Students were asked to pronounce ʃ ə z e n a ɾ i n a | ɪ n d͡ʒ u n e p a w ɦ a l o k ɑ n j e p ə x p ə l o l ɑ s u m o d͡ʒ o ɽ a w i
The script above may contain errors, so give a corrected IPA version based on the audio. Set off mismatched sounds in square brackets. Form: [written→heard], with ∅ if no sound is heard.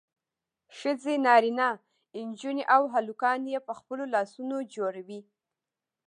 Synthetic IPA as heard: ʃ ə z e n [a→ɑ] ɾ i n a | ɪ n d͡ʒ u n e [p→ʔ] a w ɦ a l [o→u] k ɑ n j e p ə x p ə l o l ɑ s u [m→n] o d͡ʒ o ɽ a w i